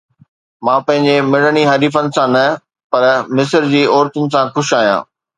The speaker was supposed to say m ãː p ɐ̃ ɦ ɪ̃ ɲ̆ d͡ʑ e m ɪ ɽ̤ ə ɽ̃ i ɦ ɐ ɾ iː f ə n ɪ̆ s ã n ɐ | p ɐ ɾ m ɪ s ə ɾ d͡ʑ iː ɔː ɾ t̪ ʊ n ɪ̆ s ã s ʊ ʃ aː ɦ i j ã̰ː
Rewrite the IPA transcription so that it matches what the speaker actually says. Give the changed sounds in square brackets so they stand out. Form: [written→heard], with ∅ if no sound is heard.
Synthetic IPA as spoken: m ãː p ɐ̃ ɦ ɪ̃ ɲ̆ d͡ʑ e m ɪ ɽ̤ ə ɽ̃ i ɦ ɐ ɾ iː f ə n ɪ̆ s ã n ɐ | p ɐ ɾ m ɪ s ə ɾ d͡ʑ iː ɔː ɾ t̪ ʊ n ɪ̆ s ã [s→x] ʊ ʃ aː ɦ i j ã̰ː